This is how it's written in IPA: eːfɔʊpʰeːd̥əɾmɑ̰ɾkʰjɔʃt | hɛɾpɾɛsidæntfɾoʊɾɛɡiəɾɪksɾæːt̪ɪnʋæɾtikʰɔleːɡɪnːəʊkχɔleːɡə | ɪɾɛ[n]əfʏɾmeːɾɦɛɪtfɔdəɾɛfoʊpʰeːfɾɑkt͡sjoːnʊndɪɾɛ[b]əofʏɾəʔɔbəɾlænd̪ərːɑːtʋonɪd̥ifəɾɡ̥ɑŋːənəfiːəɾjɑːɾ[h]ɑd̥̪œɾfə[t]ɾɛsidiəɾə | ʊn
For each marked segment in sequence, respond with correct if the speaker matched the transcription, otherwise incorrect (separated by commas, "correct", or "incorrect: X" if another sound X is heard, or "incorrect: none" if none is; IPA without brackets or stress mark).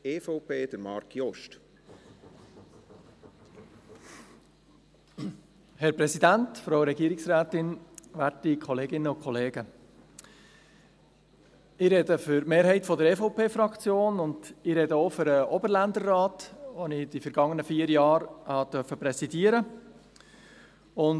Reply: incorrect: d, incorrect: d, correct, incorrect: p